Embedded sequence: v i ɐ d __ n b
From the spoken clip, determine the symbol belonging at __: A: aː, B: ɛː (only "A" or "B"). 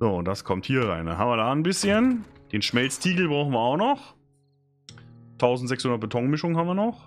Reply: A